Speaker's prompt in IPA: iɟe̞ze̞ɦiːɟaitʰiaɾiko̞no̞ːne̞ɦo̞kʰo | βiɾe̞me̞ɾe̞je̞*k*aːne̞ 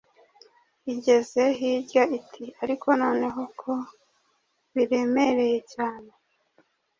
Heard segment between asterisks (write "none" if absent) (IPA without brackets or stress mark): c